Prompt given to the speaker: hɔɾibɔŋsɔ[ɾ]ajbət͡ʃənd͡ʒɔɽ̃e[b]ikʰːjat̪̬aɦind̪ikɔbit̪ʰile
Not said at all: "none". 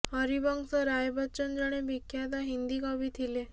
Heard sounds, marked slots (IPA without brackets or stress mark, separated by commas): ɾ, b